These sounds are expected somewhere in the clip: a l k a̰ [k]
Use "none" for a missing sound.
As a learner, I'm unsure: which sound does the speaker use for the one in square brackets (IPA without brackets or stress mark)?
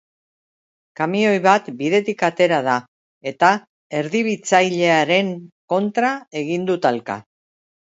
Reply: none